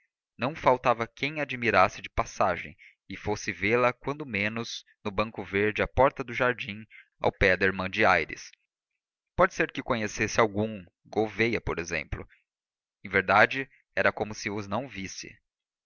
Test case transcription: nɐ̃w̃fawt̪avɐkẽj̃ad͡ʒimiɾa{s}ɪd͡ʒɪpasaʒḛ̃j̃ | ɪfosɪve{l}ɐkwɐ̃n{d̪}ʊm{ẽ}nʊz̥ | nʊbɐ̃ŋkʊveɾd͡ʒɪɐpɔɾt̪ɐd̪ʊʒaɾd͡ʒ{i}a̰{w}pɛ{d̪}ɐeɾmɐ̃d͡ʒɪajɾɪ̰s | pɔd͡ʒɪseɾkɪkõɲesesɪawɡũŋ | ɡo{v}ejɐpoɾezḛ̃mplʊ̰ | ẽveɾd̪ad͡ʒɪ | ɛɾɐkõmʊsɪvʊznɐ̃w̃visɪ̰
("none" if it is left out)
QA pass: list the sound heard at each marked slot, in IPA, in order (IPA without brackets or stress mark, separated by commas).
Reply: s, l, d̪, ẽ, ĩ, w, d̪, v